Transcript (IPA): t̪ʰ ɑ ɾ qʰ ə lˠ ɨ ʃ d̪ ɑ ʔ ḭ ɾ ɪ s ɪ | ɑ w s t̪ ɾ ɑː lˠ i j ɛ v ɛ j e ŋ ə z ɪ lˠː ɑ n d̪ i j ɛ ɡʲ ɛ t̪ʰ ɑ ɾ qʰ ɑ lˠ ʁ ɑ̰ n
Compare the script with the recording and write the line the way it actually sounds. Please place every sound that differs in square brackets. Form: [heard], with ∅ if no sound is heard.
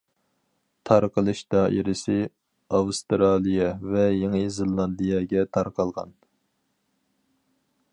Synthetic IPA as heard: t̪ʰ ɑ ɾ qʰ ə lˠ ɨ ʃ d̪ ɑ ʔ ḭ ɾ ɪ s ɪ | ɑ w s t̪ ɾ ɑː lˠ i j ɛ v ɛ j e ŋ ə z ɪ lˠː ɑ n d̪ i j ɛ ɡʲ ɛ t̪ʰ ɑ ɾ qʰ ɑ lˠ ʁ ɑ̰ n